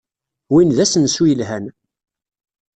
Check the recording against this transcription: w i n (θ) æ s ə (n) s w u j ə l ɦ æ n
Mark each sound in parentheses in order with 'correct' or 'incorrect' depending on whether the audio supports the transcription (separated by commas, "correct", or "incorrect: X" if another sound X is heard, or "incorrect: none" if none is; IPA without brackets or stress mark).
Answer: incorrect: ð, correct